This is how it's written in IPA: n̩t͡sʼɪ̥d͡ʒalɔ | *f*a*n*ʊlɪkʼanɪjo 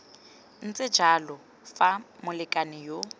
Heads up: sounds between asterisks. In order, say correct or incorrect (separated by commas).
correct, incorrect